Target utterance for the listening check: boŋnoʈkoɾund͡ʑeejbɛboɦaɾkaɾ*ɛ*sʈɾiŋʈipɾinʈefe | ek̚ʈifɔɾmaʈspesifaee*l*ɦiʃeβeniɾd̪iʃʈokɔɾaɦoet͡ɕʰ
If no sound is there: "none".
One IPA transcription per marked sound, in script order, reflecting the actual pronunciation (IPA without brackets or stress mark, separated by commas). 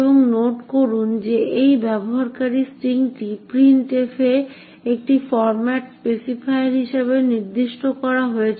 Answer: i, ɾ